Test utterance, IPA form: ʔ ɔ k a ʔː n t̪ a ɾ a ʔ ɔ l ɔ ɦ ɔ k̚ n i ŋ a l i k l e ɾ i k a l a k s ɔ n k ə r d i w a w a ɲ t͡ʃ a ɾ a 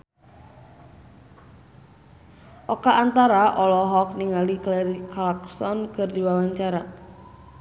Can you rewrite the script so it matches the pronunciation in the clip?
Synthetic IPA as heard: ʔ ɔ k a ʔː n t̪ a ɾ a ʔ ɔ l ɔ ɦ ɔ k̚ n i ŋ a l i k l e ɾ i k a l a k s ɔ n k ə r d i w a w a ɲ t͡ʃ a ɾ a